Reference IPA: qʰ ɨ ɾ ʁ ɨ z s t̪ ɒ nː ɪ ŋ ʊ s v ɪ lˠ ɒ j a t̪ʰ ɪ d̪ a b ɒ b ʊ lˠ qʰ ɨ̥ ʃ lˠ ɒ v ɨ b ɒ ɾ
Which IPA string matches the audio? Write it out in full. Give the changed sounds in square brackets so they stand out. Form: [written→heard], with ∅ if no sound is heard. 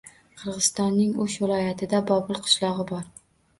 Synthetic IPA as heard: qʰ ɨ ɾ ʁ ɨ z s t̪ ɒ nː ɪ ŋ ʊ [s→ʃ] v ɪ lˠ ɒ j a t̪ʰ ɪ d̪ a b ɒ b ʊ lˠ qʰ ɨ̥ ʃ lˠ ɒ [v→ʁ] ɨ b ɒ ɾ